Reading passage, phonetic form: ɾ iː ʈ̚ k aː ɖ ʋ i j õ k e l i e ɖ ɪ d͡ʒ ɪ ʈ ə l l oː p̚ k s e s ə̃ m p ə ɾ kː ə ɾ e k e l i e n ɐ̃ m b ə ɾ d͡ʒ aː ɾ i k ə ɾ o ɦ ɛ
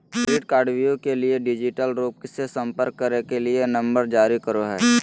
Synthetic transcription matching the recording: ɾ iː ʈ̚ k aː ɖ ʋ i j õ k e l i e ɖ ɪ d͡ʒ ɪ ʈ ə l ɾ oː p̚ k s e s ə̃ m p ə ɾ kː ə ɾ e k e l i e n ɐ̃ m b ə ɾ d͡ʒ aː ɾ i k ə ɾ o ɦ ɛː